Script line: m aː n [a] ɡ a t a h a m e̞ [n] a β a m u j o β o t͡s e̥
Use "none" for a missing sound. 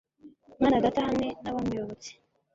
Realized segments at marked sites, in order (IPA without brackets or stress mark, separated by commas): a, n